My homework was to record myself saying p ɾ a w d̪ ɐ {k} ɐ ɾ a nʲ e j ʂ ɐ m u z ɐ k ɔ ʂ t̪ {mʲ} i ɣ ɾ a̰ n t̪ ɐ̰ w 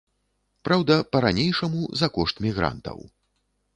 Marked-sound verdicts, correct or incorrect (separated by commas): incorrect, correct